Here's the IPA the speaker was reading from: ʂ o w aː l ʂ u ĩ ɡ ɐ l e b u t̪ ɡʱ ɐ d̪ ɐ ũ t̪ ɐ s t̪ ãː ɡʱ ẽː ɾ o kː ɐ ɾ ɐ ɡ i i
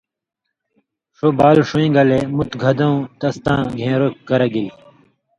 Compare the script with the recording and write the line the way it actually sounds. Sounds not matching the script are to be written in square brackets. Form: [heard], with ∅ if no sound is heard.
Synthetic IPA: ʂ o [b] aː l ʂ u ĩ ɡ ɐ l e [m] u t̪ ɡʱ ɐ d̪ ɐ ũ t̪ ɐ s t̪ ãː ɡʱ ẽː ɾ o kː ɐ ɾ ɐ ɡ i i